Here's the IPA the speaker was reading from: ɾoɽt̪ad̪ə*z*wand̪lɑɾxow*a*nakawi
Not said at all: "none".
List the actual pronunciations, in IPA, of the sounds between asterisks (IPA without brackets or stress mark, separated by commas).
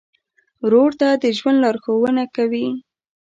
ʒ, ə